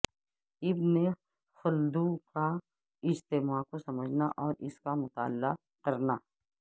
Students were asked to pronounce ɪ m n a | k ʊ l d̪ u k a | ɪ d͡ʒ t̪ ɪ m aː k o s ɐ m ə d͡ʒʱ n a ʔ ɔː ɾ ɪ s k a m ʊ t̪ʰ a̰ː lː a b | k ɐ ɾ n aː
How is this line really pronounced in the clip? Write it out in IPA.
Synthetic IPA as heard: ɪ b n e | x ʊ l d̪ u k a | ɪ d͡ʒ t̪ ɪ m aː k o s ɐ m ə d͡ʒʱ n a ʔ ɔː ɾ ɪ s k a m ʊ t̪ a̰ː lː a | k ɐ ɾ n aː